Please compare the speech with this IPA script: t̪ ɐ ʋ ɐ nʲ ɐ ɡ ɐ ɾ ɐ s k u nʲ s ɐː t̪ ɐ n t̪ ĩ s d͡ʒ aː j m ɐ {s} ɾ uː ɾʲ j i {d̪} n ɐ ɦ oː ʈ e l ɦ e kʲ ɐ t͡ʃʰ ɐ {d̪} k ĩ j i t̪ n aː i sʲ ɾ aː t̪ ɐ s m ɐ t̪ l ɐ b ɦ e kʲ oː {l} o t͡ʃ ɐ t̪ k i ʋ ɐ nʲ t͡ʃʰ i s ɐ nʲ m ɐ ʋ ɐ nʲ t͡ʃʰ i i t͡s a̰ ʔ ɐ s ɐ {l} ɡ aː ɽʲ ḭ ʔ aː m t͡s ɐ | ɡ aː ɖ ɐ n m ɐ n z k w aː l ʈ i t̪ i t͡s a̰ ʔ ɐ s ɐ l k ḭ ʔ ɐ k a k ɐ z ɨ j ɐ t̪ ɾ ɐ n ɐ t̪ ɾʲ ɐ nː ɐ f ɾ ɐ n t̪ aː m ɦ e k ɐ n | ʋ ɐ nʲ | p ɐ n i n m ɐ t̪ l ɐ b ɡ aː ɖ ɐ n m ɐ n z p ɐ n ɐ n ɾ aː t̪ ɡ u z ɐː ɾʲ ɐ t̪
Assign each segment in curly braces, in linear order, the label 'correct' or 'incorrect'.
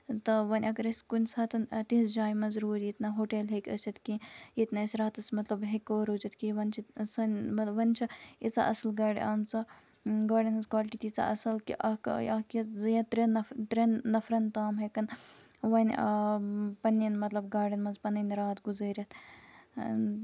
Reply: incorrect: z, incorrect: t̪, incorrect: t̪, incorrect: ɾ, correct

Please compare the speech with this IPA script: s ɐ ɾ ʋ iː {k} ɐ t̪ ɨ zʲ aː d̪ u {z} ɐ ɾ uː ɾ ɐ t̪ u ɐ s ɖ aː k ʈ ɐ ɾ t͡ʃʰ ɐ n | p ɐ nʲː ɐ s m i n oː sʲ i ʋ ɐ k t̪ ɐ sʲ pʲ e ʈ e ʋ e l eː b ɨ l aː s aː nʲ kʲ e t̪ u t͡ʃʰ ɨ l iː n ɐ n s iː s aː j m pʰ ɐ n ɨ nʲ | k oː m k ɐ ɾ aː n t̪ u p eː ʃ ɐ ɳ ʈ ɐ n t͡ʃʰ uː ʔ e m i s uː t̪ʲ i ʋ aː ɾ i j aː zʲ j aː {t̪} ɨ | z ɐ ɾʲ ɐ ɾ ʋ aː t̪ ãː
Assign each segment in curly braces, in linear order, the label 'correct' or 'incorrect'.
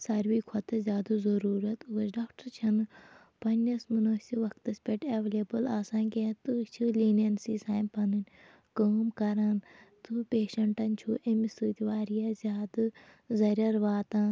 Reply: incorrect: kʰ, correct, incorrect: d̪

